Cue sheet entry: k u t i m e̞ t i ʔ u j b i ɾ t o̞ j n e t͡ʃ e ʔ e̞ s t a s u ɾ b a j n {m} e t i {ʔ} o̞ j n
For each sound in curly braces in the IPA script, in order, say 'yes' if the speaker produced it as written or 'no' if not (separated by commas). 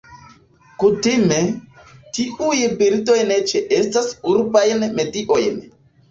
yes, yes